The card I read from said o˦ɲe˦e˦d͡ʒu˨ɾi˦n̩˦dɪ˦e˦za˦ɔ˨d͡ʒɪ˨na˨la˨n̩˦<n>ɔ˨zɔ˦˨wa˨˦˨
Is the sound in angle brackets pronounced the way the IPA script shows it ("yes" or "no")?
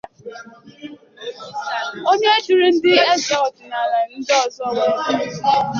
no